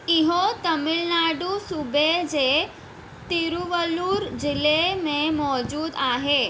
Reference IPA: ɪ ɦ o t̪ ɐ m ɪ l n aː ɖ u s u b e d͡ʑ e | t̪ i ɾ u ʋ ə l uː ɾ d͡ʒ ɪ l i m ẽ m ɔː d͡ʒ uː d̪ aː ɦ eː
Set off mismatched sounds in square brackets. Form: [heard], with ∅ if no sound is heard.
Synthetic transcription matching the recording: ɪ ɦ o t̪ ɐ m ɪ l n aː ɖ u s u b e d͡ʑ e | t̪ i ɾ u ʋ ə l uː ɾ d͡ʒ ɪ l [e] m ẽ m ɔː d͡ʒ uː d̪ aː ɦ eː